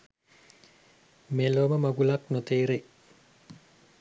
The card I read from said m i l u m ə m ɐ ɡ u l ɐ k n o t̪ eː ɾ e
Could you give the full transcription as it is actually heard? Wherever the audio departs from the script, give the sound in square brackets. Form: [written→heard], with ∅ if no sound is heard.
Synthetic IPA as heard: m [i→e] l [u→o] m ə m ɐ ɡ u l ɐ k n o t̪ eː ɾ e